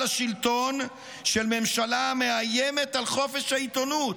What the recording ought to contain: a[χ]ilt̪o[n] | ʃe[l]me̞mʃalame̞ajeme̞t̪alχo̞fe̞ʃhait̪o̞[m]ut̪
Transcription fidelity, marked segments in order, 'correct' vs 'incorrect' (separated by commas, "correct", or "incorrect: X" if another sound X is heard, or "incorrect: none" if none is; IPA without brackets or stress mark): incorrect: ʃ, correct, correct, incorrect: n